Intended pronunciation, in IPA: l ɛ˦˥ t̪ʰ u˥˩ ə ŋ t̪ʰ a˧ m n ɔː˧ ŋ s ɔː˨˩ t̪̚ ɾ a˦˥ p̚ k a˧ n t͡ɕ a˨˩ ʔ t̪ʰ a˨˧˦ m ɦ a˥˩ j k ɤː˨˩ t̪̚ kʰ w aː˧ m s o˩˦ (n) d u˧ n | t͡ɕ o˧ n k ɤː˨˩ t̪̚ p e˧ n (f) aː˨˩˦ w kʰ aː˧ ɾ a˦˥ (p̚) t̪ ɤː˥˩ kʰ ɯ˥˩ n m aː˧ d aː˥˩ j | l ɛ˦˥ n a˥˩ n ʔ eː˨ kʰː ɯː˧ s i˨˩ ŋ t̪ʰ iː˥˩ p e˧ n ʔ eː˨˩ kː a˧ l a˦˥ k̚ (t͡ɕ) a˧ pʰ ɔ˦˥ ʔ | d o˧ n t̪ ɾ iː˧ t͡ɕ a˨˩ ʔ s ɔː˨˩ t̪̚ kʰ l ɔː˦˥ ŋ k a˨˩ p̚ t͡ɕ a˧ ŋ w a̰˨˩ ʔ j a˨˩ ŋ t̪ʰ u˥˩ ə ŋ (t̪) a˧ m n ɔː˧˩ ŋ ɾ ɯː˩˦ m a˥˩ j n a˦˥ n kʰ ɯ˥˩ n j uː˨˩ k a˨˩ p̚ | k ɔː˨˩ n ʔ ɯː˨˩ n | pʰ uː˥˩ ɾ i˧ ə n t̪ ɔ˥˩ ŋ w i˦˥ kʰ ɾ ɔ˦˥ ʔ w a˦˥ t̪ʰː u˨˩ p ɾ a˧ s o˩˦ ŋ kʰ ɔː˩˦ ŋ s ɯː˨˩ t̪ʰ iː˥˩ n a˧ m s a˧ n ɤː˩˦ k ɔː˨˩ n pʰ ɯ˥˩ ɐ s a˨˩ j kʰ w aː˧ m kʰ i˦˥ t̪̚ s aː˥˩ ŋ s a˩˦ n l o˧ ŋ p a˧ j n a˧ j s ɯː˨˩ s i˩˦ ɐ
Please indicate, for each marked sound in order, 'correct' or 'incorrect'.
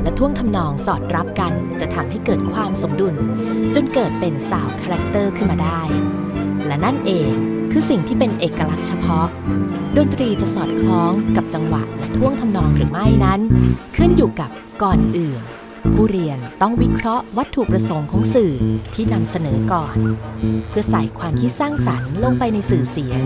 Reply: incorrect, incorrect, incorrect, incorrect, incorrect

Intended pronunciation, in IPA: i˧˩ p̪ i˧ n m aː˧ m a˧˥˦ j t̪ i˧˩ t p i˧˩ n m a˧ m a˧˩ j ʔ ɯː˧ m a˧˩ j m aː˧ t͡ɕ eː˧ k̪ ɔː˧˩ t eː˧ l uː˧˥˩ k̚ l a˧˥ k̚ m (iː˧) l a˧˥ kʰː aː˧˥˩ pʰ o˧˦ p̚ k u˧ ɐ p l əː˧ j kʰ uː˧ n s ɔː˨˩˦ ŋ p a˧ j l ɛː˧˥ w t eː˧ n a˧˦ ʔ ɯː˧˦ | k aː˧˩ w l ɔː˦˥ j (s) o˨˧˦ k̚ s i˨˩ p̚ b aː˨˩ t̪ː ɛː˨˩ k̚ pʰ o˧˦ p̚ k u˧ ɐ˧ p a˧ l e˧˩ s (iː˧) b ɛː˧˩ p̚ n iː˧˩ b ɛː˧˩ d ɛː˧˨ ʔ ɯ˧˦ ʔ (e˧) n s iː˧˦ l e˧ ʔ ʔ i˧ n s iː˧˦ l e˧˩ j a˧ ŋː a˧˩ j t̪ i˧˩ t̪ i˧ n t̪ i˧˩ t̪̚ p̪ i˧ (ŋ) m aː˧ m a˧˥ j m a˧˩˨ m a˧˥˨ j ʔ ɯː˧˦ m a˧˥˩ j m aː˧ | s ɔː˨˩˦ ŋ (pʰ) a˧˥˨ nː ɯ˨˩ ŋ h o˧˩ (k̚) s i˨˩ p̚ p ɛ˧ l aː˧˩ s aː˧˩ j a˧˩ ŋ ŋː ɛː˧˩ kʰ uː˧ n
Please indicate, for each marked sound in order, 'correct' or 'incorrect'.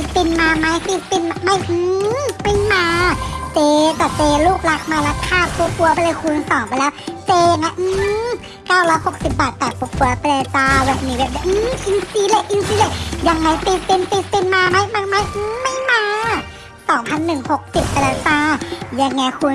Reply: incorrect, incorrect, incorrect, incorrect, incorrect, correct, correct

